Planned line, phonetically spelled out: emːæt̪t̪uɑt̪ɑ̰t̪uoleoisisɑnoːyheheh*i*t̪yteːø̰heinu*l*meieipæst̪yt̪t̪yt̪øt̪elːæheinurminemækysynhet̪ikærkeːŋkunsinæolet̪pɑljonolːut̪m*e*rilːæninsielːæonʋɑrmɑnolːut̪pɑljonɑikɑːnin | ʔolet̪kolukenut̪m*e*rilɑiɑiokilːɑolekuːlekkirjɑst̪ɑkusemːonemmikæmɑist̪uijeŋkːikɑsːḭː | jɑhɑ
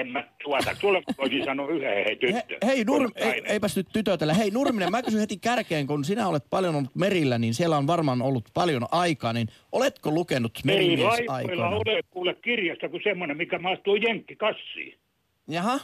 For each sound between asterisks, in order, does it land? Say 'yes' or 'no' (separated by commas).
no, no, yes, yes